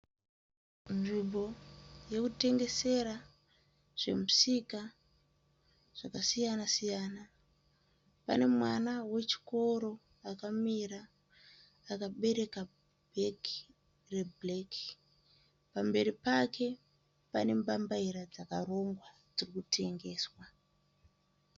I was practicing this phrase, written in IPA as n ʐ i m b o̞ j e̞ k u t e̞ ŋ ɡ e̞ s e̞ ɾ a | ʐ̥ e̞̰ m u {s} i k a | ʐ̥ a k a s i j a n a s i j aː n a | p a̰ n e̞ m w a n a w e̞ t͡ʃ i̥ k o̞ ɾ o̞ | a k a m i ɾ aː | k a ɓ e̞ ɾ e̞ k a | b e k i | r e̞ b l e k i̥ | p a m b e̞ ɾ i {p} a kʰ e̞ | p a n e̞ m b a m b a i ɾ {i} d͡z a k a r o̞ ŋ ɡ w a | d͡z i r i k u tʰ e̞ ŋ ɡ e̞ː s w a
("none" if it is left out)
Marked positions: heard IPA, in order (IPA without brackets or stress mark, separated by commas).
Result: s, p, a